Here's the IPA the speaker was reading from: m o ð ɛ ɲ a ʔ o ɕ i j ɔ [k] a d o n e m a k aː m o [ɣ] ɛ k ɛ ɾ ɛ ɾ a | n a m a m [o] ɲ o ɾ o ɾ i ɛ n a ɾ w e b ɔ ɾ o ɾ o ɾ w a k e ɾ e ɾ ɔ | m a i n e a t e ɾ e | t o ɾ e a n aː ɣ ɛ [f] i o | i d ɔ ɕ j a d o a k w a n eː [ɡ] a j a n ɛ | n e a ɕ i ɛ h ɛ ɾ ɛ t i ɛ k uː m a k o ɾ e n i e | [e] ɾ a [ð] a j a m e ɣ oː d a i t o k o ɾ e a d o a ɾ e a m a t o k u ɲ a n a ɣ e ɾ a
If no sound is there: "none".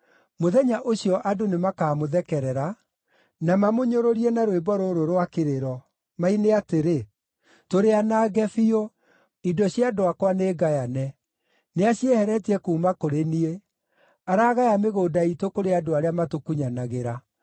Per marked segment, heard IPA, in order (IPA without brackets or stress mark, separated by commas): ʔ, ð, o, f, ɡ, a, ɣ